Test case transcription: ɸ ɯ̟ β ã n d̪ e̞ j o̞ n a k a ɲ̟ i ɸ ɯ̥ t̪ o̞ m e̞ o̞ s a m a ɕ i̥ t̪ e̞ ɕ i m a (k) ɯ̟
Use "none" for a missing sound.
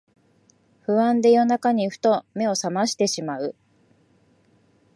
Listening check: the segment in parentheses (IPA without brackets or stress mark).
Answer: none